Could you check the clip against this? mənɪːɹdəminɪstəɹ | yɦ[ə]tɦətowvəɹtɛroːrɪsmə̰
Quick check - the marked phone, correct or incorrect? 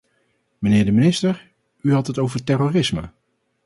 incorrect: ɑ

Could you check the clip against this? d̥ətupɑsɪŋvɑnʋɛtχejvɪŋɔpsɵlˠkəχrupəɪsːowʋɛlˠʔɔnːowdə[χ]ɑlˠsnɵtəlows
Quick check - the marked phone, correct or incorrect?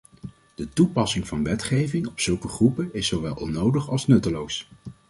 correct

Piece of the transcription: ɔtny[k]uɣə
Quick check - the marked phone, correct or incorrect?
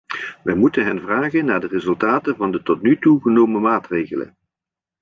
incorrect: t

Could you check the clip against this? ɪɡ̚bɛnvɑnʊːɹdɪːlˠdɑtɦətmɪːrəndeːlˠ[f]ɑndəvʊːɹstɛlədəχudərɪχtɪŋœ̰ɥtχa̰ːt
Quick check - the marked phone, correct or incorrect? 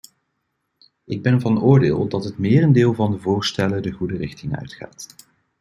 incorrect: v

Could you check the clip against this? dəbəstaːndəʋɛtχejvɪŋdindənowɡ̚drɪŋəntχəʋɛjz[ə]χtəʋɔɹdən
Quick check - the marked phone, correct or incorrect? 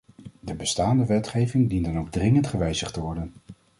correct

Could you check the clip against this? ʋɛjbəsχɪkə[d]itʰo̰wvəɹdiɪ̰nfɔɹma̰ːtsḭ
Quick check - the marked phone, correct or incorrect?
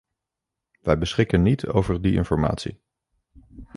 incorrect: n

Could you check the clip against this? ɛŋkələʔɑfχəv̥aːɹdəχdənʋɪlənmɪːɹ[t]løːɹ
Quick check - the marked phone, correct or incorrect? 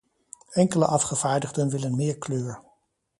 incorrect: k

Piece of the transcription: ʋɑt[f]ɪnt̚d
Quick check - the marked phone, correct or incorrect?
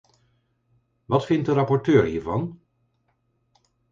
correct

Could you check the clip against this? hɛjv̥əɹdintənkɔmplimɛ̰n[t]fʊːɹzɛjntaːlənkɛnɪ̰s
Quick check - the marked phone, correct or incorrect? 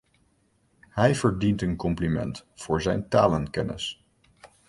correct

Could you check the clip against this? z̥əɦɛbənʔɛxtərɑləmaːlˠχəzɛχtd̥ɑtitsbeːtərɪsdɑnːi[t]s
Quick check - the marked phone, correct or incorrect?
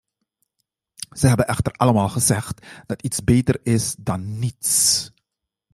correct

